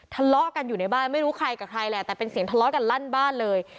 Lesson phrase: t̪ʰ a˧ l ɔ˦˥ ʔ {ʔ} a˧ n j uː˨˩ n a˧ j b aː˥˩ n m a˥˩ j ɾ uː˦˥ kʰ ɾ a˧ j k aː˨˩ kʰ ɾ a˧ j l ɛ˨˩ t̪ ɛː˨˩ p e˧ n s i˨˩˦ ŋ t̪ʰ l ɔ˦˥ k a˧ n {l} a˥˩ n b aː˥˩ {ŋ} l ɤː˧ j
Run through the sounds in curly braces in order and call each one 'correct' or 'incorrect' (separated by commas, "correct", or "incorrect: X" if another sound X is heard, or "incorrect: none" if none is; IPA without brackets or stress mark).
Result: incorrect: k, correct, incorrect: n